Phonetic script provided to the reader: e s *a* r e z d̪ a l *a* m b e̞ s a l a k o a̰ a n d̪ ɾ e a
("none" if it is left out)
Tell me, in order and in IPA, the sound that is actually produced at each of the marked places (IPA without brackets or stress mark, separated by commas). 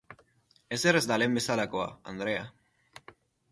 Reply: e, e